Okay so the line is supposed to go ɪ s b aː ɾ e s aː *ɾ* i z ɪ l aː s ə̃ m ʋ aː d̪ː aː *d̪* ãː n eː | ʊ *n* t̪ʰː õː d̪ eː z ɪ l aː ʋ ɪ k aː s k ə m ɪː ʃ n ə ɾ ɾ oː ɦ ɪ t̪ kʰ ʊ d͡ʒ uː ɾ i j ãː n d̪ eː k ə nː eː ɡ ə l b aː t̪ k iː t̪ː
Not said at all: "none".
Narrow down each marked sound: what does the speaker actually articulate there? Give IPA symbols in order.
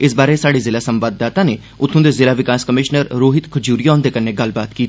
ɽ, t̪, none

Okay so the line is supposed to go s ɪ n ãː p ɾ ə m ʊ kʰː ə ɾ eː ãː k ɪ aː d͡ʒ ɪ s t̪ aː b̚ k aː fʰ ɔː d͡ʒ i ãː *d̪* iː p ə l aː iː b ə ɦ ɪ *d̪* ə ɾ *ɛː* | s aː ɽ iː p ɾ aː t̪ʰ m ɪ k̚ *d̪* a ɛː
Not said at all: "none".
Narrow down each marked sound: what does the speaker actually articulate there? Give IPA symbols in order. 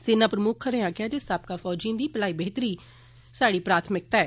d̪, t̪, iː, t̪

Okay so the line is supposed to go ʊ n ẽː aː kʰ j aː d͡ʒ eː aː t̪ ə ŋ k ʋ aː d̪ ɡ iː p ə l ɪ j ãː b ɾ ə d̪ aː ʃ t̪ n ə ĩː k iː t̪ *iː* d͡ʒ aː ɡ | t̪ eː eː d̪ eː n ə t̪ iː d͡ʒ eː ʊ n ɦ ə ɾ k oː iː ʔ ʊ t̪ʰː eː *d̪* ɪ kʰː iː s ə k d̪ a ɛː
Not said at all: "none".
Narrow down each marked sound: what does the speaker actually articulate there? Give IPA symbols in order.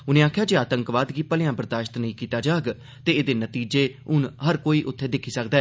aː, d̪

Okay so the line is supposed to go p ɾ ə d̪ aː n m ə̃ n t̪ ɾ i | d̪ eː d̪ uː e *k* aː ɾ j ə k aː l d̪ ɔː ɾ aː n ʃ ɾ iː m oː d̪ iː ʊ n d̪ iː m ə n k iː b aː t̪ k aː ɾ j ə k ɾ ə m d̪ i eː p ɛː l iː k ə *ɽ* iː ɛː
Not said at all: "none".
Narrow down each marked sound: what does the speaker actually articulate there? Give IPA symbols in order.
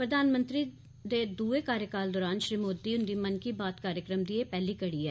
k, ɽ

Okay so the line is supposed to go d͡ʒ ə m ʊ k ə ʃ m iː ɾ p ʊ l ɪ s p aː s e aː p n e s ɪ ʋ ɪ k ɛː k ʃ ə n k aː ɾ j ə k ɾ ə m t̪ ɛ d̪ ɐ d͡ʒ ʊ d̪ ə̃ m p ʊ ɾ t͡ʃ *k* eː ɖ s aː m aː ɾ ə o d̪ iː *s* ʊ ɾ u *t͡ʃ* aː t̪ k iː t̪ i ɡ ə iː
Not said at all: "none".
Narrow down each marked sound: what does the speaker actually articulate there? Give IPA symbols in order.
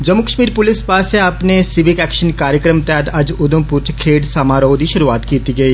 kʰ, ʃ, none

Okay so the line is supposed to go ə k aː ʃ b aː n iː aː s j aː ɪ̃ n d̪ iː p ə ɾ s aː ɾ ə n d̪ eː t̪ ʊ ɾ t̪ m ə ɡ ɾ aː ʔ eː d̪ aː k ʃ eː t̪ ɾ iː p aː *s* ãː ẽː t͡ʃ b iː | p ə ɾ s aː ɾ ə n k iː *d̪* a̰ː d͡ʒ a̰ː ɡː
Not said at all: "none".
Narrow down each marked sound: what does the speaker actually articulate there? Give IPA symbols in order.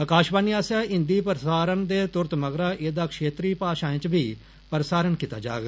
ʃ, t̪

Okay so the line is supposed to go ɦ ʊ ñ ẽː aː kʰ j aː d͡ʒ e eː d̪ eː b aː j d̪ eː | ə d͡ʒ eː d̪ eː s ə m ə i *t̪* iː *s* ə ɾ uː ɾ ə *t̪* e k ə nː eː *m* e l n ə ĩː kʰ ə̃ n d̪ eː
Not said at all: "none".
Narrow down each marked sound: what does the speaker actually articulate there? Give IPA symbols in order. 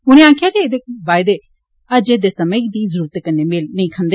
d̪, z, t̪, m

